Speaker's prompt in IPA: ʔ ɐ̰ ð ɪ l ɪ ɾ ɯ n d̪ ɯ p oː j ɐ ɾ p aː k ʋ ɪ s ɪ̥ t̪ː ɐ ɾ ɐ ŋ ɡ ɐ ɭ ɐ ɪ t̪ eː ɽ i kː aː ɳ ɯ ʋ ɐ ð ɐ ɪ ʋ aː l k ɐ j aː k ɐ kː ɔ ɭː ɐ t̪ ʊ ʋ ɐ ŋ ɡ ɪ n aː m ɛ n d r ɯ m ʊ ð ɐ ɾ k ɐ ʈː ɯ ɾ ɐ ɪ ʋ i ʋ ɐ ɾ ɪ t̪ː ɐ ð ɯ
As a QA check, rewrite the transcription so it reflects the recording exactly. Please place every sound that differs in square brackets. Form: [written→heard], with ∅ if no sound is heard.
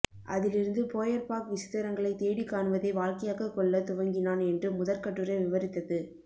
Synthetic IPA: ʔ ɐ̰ ð ɪ l ɪ ɾ ɯ n d̪ ɯ p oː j ɐ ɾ p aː k ʋ ɪ s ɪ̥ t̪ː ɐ ɾ ɐ ŋ ɡ ɐ ɭ ɐ ɪ t̪ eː ɽ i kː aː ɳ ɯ ʋ ɐ ð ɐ ɪ ʋ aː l k ɐ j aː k ɐ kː ɔ ɭː ɐ t̪ ʊ ʋ ɐ ŋ ɡ ɪ n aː [m→n] ɛ n d r ɯ m ʊ ð ɐ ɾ k ɐ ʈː ɯ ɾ ɐ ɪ ʋ [i→ɪ] ʋ ɐ ɾ ɪ t̪ː ɐ ð ɯ